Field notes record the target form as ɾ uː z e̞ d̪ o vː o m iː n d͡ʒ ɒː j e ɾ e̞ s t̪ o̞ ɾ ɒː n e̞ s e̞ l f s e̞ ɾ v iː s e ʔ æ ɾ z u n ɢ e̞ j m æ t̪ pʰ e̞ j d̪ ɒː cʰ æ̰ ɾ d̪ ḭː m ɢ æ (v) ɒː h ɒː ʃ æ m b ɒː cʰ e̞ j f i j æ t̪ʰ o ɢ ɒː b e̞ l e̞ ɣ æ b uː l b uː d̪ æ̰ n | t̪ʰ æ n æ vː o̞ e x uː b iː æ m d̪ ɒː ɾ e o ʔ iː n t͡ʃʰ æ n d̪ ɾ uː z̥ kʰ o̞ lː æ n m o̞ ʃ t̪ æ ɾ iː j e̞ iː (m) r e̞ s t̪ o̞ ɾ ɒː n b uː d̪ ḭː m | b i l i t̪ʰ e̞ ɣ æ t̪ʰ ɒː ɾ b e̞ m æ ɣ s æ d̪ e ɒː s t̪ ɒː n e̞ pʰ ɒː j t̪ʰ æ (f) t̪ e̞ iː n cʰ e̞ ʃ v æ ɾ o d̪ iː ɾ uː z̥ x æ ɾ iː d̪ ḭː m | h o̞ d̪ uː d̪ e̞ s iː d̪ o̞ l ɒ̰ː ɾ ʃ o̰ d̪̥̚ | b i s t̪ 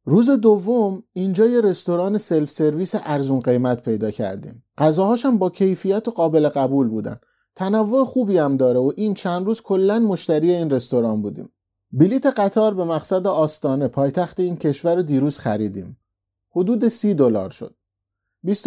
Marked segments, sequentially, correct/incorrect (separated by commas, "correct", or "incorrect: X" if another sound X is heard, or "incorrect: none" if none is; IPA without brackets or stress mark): incorrect: z, incorrect: n, incorrect: x